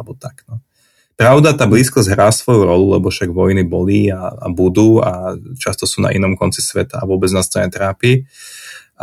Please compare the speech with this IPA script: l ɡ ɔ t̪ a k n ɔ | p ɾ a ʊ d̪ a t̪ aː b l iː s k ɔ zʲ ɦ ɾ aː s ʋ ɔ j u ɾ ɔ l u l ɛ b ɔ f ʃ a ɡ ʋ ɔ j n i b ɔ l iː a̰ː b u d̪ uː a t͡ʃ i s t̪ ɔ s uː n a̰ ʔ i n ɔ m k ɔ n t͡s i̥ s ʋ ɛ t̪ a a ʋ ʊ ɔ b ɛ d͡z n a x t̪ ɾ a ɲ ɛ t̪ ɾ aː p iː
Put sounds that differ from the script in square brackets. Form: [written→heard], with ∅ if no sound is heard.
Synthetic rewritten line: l [ɡ→b] ɔ t̪ a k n ɔ | p ɾ a ʊ d̪ a t̪ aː b l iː s k ɔ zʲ ɦ ɾ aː s ʋ ɔ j u ɾ ɔ l u l ɛ b ɔ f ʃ a ɡ ʋ ɔ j n i b ɔ l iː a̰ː b u d̪ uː a t͡ʃ [i→a] s t̪ ɔ s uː n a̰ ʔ i n ɔ m k ɔ n t͡s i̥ s ʋ ɛ t̪ a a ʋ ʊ ɔ b ɛ d͡z n a [x→s] t̪ ɾ a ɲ ɛ t̪ ɾ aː p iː